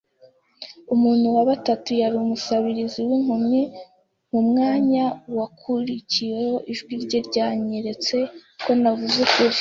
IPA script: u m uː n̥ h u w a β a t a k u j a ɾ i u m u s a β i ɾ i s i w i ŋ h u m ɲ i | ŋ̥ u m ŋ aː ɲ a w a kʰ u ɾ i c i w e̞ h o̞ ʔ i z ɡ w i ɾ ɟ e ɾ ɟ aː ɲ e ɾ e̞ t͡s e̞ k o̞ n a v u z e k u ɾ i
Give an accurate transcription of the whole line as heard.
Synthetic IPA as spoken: u m uː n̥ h u w a β a t a t u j a ɾ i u m u s a β i ɾ i z i w i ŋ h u m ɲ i | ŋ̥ u m ŋ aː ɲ a w a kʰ u ɾ i c i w e̞ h o̞ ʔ i ʒ ɡ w i ɾ ɟ e ɾ ɟ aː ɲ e ɾ e̞ t͡s e̞ k o̞ n a v u z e k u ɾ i